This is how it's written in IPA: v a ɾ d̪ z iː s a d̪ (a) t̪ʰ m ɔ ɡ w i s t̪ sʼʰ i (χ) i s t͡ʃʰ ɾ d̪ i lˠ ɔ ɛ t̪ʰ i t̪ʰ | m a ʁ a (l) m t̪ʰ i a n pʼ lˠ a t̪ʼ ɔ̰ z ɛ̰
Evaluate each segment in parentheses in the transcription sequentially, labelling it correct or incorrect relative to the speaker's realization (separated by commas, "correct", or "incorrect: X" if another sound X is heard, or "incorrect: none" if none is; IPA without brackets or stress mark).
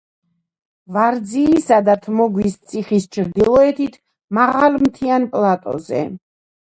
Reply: correct, correct, correct